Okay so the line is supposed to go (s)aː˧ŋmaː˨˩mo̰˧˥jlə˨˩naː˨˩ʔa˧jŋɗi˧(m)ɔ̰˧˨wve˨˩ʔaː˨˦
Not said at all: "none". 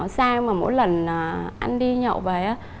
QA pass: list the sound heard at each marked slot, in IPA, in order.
s, ɲ

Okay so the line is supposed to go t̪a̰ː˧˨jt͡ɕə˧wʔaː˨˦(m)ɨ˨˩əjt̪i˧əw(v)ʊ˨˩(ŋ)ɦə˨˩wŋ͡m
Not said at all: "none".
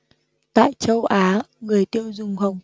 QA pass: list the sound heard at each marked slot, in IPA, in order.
ŋ, z, ŋ͡m

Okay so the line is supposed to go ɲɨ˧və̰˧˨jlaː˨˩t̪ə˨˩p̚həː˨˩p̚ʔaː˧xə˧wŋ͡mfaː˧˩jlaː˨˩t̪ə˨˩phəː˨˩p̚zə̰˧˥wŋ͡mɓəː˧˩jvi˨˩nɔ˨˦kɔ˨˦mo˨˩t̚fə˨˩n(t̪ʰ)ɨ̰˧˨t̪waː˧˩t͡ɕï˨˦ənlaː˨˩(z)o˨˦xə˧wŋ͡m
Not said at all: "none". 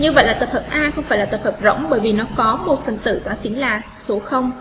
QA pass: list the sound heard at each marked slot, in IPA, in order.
t̪, s

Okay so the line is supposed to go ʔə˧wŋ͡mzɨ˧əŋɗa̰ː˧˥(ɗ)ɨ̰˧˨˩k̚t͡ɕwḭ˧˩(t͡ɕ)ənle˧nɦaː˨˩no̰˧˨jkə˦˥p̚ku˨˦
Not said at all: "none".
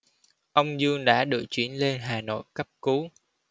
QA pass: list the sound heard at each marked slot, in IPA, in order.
ɗ, none

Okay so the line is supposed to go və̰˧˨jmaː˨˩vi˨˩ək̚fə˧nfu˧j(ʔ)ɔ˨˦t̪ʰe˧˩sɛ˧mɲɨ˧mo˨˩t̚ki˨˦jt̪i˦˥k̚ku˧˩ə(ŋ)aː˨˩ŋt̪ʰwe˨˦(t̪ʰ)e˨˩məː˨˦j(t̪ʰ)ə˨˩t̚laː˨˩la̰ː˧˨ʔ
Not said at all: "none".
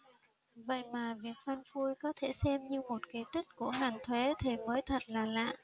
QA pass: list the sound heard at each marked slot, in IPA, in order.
k, ŋ, t̪ʰ, t̪ʰ

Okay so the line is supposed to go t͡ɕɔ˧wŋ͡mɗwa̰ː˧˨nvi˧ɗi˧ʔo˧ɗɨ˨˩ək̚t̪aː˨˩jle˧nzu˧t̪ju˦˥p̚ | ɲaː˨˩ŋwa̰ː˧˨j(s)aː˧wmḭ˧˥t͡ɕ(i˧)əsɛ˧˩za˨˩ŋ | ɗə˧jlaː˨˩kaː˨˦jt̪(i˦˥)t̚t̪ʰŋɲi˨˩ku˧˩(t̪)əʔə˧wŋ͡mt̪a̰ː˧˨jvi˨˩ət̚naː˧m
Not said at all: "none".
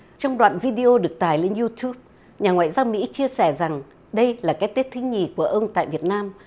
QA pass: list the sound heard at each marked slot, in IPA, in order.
z, i˧, i˦˥, none

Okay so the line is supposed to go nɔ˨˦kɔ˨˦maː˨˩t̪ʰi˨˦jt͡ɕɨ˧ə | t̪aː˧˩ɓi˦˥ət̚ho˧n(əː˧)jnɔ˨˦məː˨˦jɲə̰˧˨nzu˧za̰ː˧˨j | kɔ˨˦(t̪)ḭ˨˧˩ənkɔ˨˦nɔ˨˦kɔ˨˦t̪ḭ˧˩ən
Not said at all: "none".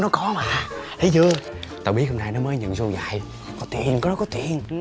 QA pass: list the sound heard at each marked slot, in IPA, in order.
aː˧, t̪

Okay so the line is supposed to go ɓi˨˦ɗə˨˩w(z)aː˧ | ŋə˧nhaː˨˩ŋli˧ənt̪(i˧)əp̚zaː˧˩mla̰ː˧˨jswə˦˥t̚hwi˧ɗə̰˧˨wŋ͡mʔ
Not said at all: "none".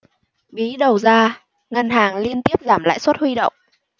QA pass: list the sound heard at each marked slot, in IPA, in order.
z, i˦˥

